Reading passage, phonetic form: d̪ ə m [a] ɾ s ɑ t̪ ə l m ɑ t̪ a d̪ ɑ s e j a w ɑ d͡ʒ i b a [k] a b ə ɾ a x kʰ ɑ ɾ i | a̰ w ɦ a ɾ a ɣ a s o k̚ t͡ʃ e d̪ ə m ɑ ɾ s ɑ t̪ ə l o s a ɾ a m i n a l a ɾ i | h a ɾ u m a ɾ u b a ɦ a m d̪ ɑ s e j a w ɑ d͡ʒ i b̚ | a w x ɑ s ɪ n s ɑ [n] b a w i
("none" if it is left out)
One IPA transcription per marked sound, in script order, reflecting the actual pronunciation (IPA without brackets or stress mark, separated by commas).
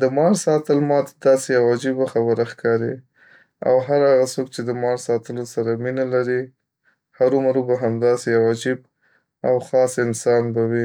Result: ɑ, x, n